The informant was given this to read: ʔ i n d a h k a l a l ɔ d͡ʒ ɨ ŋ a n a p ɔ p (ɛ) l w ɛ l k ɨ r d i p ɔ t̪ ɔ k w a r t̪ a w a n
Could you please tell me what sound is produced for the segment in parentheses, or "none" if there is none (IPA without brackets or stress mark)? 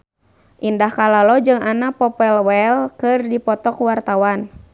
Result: ɛ